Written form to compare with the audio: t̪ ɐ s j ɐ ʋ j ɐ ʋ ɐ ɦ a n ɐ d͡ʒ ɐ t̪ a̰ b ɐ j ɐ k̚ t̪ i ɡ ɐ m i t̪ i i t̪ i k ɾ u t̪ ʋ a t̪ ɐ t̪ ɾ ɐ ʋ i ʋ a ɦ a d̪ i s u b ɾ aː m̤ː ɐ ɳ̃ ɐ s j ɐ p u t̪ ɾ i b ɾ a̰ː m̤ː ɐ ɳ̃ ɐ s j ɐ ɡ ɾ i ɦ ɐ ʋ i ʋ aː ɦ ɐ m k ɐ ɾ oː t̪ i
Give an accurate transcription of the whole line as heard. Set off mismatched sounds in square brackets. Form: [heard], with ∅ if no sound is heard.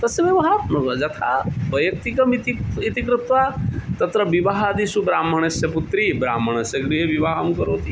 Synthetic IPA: t̪ ɐ s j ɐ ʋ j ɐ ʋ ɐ ɦ a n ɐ d͡ʒ ɐ [t̪ʰ] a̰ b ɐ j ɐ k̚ t̪ i [k] ɐ m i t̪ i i t̪ i k ɾ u t̪ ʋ a t̪ ɐ t̪ ɾ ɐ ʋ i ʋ a ɦ a d̪ i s u b ɾ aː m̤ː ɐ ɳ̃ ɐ s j ɐ p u t̪ ɾ i b ɾ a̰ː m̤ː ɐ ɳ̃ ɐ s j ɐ ɡ ɾ i ɦ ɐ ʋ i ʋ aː ɦ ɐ m k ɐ ɾ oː t̪ i